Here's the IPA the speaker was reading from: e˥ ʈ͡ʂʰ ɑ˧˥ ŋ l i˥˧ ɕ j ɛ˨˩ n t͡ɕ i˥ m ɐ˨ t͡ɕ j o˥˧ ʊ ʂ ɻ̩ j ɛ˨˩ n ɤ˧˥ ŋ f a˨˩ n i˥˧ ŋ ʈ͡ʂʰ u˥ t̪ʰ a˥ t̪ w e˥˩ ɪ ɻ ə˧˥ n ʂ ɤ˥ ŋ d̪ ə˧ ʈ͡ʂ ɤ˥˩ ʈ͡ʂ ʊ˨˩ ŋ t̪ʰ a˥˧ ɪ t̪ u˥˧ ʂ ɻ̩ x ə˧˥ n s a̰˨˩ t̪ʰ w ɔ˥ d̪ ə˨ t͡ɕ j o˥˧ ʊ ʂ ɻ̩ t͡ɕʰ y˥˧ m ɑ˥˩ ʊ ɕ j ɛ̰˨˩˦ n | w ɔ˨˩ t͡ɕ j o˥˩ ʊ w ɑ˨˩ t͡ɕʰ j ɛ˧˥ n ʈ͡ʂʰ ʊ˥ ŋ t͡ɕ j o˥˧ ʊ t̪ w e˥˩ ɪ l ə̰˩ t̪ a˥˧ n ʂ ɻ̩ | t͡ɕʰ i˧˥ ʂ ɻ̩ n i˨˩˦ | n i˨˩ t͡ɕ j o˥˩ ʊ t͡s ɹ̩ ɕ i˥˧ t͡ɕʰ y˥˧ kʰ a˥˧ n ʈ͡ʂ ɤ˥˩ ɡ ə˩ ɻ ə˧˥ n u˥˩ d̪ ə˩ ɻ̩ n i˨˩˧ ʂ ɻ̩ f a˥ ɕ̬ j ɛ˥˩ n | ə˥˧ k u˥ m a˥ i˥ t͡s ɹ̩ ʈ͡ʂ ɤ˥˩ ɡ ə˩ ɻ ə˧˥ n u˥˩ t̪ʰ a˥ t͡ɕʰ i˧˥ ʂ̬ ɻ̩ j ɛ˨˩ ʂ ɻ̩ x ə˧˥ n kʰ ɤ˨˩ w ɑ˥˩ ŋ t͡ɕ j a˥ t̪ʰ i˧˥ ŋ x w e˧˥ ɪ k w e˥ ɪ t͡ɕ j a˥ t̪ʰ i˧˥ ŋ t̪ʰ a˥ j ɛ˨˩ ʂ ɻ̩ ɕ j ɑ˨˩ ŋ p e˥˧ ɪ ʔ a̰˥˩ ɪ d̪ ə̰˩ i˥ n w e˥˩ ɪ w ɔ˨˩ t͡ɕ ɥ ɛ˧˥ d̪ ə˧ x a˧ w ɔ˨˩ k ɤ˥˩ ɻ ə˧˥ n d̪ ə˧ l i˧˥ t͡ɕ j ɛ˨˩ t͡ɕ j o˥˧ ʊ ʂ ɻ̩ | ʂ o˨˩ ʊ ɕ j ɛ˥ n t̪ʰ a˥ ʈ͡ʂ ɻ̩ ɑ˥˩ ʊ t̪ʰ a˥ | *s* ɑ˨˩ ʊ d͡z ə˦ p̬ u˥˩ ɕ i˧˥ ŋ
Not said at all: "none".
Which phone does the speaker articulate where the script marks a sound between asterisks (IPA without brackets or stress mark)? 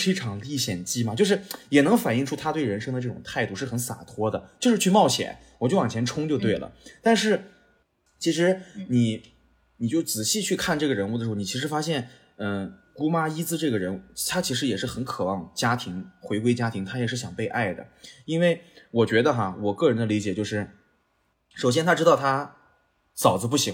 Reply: s